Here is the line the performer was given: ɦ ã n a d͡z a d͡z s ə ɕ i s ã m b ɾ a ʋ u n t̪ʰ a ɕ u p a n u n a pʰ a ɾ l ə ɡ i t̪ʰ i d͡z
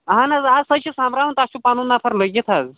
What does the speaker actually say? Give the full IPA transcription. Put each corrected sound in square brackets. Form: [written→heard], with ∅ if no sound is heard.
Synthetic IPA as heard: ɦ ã n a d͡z a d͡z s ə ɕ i s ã m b ɾ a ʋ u n [t̪ʰ→t̪] a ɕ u p a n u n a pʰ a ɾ l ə ɡ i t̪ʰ [i→a] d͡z